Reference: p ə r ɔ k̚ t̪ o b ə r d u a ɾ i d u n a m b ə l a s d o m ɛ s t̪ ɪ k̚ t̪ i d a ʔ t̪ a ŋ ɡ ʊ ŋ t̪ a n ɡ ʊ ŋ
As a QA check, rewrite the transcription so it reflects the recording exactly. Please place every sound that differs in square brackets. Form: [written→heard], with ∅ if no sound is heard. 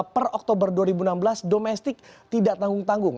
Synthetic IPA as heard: p ə r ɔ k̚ t̪ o b ə r d u a ɾ i [d→b] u n a m b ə l a s d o m ɛ s t̪ ɪ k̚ t̪ i d a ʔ t̪ a ŋ ɡ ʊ ŋ t̪ a [n→ŋ] ɡ ʊ ŋ